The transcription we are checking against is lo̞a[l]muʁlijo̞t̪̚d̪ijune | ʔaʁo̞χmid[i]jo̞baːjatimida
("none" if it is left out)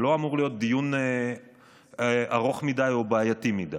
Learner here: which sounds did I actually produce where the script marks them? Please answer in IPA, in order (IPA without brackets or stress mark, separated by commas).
none, a